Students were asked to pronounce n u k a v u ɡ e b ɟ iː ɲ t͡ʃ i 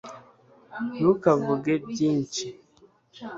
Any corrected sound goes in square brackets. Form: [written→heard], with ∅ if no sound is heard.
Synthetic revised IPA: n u k a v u ɡ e b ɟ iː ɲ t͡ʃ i